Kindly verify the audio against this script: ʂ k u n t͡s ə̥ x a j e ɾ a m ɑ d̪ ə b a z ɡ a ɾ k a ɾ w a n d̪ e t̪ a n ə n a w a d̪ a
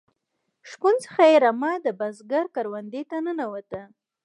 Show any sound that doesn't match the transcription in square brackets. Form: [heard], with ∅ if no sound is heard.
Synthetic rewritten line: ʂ k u n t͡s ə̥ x a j e ɾ a m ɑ d̪ ə b a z ɡ a ɾ k a ɾ w a n d̪ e t̪ a n ə n a w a [t̪] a